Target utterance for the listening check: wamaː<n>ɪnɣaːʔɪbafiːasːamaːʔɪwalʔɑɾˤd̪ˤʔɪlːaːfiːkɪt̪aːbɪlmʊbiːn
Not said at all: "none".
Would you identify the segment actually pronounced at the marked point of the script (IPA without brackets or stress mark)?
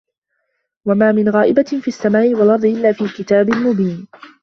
m